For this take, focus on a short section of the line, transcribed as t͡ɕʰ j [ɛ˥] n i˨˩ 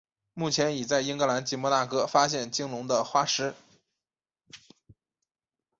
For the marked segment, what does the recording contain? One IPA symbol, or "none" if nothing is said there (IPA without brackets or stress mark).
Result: ɛ˧˥